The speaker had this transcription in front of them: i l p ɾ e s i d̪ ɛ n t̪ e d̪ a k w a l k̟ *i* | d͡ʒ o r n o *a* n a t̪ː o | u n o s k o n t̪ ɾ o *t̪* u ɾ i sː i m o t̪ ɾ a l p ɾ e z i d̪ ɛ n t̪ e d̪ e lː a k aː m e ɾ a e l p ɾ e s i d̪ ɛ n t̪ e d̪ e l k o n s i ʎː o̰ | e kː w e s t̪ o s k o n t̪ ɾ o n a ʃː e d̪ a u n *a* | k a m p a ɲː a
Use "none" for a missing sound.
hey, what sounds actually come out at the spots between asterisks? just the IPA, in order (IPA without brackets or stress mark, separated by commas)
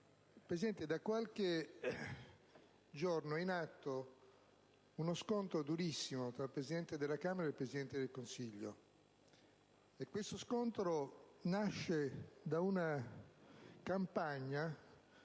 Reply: e, i, d̪, a